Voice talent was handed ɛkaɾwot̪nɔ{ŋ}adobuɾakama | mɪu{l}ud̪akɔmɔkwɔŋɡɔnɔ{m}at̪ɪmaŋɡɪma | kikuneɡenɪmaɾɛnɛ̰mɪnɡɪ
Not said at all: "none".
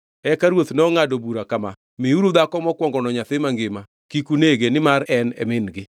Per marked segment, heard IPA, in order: ŋ, ɾ, ɲ

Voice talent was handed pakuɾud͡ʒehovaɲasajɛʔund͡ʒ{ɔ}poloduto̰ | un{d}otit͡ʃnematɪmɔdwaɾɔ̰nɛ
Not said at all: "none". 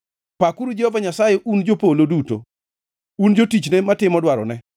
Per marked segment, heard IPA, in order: o, d͡ʒ

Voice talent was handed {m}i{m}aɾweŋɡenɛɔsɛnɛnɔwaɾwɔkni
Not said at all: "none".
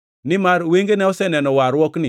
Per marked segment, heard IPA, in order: n, m

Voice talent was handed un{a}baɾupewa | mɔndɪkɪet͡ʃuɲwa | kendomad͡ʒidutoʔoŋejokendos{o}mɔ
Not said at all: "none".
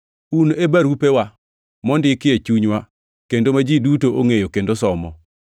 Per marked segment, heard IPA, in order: e, ɔ

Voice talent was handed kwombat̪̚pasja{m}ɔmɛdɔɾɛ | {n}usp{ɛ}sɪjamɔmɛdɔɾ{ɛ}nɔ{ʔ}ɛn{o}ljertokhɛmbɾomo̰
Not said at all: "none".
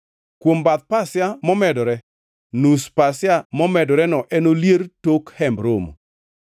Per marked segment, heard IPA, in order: m, n, a, ɛ, ʔ, o

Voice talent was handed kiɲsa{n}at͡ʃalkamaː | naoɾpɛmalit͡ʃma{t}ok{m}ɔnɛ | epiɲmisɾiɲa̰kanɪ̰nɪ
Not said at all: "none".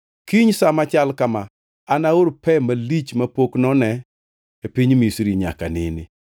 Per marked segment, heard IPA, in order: m, p, n

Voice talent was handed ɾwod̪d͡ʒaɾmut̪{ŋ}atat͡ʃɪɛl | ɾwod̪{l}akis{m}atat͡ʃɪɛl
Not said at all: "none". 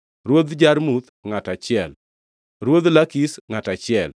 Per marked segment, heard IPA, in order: ŋ, l, ŋ

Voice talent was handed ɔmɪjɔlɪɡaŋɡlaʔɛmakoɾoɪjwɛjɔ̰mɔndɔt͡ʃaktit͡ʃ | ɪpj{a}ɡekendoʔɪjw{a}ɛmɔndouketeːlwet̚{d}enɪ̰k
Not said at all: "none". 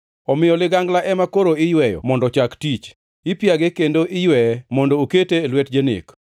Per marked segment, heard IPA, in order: a, ɛ, d͡ʒ

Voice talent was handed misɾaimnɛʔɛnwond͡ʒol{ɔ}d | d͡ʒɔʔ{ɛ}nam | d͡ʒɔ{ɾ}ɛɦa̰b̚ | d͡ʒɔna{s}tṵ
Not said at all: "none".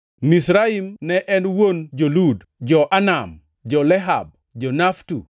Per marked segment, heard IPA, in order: u, a, l, f

